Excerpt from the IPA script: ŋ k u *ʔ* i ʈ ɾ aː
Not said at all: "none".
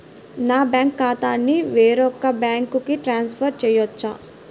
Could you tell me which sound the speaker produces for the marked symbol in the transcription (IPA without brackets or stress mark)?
k